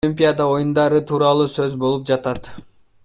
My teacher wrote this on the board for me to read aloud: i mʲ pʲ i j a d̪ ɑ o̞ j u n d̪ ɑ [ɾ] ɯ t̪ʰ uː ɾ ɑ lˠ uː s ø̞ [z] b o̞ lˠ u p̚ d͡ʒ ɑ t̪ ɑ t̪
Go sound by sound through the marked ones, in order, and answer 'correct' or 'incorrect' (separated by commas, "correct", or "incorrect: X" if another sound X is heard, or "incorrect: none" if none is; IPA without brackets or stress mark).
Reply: correct, correct